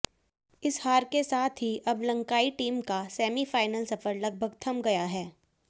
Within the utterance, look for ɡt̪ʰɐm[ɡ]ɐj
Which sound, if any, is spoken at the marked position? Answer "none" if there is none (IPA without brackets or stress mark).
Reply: ɡ